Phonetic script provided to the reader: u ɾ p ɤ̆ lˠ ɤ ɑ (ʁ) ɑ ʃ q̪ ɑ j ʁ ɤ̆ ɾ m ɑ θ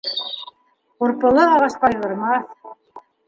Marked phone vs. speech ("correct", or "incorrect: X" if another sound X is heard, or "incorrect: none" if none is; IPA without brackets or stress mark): correct